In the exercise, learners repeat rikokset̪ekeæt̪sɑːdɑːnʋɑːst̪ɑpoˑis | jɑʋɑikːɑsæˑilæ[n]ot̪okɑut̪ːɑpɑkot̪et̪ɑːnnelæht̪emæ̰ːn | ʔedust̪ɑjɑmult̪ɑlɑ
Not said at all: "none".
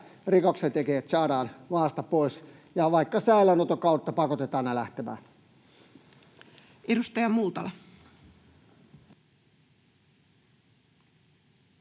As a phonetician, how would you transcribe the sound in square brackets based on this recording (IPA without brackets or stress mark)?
n